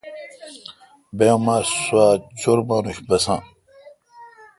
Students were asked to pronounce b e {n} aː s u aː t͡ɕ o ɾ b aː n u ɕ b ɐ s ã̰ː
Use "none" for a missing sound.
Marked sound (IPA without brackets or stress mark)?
m